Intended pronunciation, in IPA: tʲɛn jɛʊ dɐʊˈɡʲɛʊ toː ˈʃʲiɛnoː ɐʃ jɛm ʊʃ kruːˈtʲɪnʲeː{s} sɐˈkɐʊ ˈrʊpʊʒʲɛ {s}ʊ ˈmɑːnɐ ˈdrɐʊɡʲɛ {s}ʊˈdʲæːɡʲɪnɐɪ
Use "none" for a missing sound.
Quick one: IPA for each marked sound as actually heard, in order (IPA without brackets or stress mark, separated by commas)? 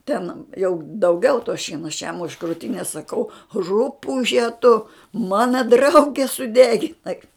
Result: s, t, s